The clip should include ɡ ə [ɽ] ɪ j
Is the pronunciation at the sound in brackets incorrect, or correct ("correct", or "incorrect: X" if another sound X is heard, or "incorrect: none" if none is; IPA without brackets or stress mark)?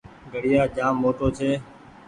correct